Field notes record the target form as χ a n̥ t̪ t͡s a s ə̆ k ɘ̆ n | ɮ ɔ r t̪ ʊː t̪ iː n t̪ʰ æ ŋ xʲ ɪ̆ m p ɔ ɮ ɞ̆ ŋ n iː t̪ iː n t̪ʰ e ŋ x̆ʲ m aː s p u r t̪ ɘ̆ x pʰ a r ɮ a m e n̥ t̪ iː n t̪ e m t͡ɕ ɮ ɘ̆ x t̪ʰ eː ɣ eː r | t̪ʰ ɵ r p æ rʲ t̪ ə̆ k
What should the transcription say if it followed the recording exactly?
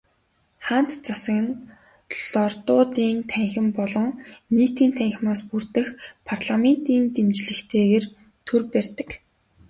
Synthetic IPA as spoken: χ a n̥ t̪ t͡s a s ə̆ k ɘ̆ n | ɮ ɔ r t̪ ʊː t̪ iː n t̪ʰ æ ŋ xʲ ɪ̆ m p ɔ ɮ ɞ̆ ŋ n iː t̪ iː n t̪ʰ æ ŋ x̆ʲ m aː s p u r t̪ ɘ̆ x pʰ a r ɮ a m e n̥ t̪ iː n t̪ e m t͡ɕ ɮ ɘ̆ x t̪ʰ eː ɣ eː r | t̪ʰ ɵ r p æ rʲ t̪ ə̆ k